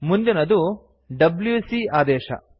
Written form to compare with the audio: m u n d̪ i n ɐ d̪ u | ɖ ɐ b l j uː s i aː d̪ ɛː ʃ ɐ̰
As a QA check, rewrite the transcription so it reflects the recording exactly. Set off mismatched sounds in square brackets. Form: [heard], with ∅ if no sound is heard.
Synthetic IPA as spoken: m u n d̪ i n ɐ d̪ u | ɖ ɐ b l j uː s i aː d̪ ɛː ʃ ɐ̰